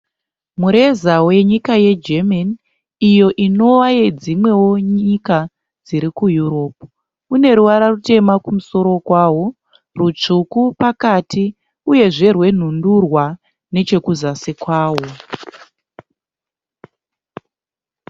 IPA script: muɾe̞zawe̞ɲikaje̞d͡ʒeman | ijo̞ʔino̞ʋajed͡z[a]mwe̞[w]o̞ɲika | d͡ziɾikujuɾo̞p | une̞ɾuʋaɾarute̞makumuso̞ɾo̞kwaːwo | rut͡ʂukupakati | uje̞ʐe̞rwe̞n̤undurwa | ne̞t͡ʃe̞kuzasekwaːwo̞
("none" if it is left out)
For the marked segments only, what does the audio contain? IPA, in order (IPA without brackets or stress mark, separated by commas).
i, w